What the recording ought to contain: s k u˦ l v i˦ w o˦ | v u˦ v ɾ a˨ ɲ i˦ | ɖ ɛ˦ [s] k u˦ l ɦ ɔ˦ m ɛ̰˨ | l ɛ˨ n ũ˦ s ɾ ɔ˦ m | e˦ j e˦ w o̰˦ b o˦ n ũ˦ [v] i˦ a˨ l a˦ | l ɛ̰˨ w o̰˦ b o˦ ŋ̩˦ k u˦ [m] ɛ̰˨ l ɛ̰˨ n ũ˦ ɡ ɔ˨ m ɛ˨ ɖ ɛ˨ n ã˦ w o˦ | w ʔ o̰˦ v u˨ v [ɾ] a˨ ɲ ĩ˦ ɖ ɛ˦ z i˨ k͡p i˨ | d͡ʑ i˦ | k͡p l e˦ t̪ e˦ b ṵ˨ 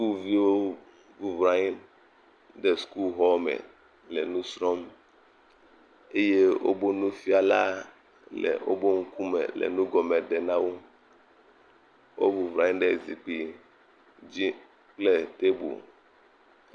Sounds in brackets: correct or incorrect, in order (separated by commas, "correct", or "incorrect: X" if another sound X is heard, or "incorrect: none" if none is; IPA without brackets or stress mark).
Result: correct, incorrect: f, correct, correct